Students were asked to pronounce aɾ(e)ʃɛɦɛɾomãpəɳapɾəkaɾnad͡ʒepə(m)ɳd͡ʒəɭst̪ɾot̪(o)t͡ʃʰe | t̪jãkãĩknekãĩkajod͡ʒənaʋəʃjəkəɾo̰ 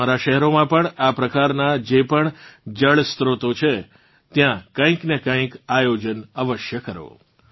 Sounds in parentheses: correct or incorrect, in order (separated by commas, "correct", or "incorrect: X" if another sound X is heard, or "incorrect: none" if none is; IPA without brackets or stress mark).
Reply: incorrect: a, incorrect: none, correct